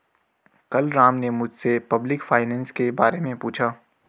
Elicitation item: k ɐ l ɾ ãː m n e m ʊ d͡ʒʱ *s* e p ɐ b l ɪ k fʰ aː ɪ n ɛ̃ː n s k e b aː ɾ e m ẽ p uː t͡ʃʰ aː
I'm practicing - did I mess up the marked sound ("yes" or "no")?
no